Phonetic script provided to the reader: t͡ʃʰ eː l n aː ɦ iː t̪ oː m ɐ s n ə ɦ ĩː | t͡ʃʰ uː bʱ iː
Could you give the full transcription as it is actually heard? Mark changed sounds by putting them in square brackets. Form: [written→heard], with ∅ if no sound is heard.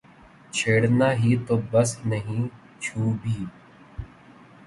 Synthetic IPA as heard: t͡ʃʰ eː [l→ɽ] n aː ɦ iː t̪ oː [m→b] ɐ s n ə ɦ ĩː | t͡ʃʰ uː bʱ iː